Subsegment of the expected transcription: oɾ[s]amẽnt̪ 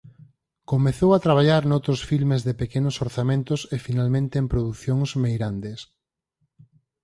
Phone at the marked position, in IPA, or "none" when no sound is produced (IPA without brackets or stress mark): θ